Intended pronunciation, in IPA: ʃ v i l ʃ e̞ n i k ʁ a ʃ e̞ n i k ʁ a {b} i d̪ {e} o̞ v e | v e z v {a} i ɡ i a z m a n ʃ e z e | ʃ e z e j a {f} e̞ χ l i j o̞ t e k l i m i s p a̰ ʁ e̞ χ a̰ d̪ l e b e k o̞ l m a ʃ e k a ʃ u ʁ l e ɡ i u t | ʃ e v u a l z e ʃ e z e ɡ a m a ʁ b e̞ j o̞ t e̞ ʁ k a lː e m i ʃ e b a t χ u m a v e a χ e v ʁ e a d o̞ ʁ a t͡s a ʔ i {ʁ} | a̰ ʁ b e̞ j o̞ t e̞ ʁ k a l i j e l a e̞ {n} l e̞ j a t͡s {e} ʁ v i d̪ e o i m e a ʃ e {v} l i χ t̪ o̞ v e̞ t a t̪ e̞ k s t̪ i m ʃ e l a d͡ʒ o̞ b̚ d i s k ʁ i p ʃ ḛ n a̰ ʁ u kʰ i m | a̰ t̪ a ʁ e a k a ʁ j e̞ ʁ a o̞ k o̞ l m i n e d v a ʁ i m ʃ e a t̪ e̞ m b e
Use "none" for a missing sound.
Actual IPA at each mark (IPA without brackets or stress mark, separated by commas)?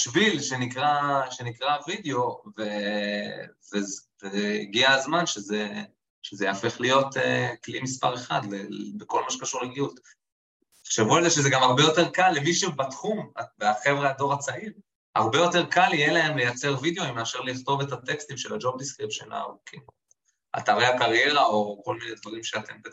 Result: v, e, e, f, ʁ, m, e, ʁ